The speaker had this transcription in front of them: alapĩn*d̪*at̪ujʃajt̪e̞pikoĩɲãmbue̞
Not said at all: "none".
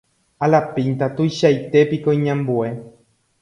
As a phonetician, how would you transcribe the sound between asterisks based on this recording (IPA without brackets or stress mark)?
t̪